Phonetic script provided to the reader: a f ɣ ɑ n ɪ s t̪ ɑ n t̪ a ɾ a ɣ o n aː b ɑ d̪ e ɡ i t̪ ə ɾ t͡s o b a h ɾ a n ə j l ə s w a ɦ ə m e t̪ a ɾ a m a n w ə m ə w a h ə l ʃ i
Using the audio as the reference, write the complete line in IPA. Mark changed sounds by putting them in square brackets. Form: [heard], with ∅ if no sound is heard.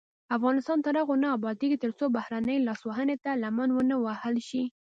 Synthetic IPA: a f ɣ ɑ n ɪ s t̪ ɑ n t̪ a ɾ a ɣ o n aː b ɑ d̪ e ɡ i t̪ ə ɾ t͡s o b a h ɾ a n ə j l [ɑ] s w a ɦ ə [n] e t̪ a [l] a m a n w ə [n] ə w a h ə l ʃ i